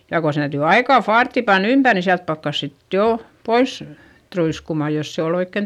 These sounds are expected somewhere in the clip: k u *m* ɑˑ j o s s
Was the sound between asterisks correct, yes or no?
yes